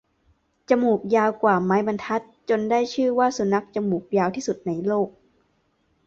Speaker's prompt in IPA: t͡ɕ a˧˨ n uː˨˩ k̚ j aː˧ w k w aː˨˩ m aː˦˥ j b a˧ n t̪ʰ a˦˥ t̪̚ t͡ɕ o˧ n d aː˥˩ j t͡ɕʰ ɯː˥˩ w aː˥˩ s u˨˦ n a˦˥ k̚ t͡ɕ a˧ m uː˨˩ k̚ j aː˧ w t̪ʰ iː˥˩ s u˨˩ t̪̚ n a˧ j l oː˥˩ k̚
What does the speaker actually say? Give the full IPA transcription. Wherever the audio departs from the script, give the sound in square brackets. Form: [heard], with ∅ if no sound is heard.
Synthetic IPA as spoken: t͡ɕ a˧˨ [m] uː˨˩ k̚ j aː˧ w k w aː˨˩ m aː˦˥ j b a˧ n t̪ʰ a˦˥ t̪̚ t͡ɕ o˧ n d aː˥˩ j t͡ɕʰ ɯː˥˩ w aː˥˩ s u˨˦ n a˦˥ k̚ t͡ɕ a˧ m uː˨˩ k̚ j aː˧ w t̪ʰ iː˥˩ s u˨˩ t̪̚ n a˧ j l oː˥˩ k̚